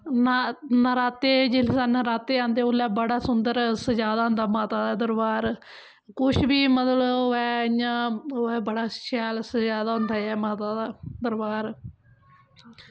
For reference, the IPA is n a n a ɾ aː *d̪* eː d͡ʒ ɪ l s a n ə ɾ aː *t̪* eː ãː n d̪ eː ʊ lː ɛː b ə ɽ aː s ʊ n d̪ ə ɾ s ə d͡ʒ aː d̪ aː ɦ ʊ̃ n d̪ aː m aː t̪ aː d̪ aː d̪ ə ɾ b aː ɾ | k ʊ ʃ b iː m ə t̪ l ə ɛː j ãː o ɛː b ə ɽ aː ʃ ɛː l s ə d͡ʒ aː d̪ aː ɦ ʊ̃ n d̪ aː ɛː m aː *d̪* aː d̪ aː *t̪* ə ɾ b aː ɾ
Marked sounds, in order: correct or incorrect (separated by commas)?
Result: incorrect, correct, incorrect, incorrect